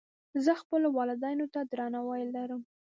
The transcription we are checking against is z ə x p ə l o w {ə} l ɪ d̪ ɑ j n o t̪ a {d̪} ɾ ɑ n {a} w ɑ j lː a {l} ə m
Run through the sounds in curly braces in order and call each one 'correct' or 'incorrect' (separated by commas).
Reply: incorrect, correct, correct, incorrect